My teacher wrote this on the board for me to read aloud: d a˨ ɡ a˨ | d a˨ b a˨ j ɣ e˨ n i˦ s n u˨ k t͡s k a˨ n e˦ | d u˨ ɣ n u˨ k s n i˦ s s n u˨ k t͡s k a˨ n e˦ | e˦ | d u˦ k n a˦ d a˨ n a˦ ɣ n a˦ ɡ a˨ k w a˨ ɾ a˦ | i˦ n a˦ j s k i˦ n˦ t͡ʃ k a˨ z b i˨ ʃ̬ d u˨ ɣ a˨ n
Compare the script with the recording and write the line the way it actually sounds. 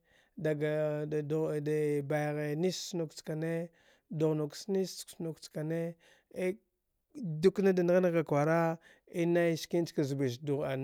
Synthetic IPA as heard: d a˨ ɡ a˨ | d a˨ b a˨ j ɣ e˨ n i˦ s n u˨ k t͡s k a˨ n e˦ | d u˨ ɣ n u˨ k s n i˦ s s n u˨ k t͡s k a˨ n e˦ | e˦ | d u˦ k n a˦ d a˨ n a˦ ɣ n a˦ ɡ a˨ k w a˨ ɾ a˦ | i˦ n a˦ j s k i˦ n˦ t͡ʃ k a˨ z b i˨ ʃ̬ d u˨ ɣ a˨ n

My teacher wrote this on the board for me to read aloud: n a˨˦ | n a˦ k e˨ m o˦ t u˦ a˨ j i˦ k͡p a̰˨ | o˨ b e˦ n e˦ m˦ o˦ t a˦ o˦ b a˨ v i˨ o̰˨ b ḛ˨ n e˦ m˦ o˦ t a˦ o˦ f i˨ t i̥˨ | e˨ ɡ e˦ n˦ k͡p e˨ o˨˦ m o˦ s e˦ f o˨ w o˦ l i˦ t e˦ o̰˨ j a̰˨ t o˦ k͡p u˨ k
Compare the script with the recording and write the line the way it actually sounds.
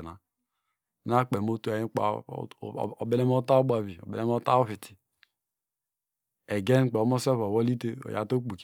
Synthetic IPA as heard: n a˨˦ | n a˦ k͡p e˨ m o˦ t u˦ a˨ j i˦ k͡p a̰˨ | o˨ b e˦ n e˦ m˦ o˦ t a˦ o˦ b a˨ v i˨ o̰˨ b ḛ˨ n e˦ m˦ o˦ t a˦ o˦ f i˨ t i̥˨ | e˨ ɡ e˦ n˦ k͡p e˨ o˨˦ m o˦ s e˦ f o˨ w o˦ l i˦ t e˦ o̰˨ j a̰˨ t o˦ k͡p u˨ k

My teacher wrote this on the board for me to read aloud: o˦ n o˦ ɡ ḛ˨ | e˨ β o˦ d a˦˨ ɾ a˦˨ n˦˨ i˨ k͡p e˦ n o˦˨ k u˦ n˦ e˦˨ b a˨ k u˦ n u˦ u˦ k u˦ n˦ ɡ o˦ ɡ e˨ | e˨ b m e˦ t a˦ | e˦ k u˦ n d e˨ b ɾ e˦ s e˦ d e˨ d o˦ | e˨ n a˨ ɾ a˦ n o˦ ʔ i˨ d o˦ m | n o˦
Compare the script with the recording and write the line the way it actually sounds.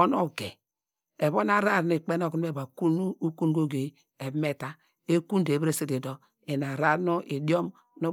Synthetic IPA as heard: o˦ n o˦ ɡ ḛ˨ | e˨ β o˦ n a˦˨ ɾ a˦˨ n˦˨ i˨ k͡p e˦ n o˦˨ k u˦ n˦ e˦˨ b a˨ k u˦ n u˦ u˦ k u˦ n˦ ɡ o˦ ɡ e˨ | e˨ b m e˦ t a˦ | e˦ k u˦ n d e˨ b ɾ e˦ s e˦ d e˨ d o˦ | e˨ n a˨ ɾ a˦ n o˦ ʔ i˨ d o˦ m | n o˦

